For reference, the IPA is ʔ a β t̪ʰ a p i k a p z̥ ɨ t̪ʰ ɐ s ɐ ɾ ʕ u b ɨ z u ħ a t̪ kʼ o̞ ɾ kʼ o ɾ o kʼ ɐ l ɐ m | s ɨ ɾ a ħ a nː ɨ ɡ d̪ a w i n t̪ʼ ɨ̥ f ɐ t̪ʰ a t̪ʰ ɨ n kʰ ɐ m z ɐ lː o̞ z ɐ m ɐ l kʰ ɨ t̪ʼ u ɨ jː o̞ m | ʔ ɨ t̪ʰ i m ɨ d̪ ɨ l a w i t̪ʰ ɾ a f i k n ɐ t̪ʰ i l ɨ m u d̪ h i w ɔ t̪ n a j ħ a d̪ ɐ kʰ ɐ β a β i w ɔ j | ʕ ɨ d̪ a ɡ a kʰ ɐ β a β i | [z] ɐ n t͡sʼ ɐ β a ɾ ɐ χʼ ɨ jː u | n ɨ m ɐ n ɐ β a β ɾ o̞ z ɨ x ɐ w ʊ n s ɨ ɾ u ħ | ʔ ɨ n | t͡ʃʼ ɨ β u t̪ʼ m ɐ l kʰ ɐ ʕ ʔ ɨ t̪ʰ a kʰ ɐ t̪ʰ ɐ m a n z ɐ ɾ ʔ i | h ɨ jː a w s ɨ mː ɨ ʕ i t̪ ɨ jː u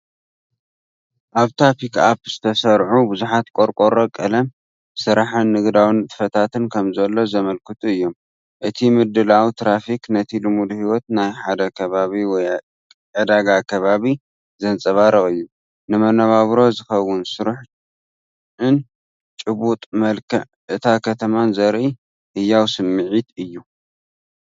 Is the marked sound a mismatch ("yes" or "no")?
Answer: no